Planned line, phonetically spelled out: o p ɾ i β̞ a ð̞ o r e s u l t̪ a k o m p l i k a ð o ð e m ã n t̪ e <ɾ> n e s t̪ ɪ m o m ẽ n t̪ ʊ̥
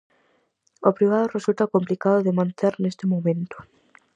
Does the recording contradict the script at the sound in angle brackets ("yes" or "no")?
no